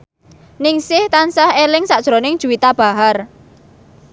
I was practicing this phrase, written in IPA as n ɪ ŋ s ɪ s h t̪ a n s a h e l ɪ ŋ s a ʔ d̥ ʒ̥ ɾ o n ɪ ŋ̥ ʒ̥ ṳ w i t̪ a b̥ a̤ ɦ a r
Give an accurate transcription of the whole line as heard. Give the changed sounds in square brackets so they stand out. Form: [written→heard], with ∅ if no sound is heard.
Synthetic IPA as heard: n ɪ ŋ s ɪ [s→∅] h t̪ a n s a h e l ɪ ŋ s a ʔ d̥ ʒ̥ ɾ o n ɪ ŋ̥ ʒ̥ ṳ w i t̪ a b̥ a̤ ɦ a r